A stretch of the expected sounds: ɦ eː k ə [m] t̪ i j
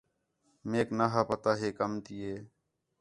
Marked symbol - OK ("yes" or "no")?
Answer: yes